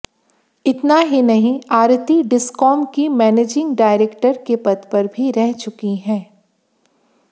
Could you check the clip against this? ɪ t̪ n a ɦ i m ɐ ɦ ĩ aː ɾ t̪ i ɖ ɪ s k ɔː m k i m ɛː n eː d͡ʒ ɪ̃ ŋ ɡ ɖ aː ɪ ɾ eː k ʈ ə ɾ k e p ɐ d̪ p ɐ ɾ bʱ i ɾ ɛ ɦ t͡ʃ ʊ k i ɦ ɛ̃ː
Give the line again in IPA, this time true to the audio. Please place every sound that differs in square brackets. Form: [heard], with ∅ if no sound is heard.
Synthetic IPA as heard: ɪ t̪ n a ɦ i [n] ɐ ɦ ĩ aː ɾ t̪ i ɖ ɪ s k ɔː m k i m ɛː n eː d͡ʒ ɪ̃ ŋ ɡ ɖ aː ɪ ɾ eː k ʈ ə ɾ k e p ɐ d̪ p ɐ ɾ bʱ i ɾ ɛ ɦ t͡ʃ ʊ k i ɦ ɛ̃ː

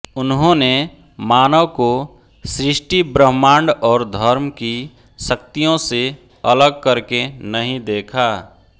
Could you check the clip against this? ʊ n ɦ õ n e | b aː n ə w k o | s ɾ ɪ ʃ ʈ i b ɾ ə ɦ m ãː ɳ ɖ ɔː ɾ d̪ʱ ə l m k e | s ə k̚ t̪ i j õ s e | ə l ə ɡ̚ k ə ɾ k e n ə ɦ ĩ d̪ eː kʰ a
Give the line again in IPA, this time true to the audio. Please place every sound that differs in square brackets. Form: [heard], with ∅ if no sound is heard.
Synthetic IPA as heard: ʊ n ɦ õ n e | [m] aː n ə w k o | s ɾ ɪ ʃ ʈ i b ɾ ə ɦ m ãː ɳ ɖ ɔː ɾ d̪ʱ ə [ɾ] m k [i] | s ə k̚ t̪ i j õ s e | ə l ə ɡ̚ k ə ɾ k e n ə ɦ ĩ d̪ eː kʰ a

